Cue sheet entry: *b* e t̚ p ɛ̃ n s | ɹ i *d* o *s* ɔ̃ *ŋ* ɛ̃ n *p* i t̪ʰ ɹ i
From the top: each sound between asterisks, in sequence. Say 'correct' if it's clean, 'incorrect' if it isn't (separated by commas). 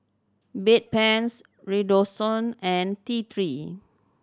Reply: correct, correct, correct, incorrect, incorrect